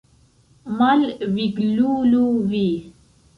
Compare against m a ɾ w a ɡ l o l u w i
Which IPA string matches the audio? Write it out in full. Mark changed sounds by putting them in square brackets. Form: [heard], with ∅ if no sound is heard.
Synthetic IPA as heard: m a [l] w [i] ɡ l [u] l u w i